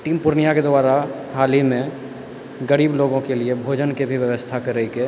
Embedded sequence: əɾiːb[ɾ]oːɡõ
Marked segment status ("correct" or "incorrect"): incorrect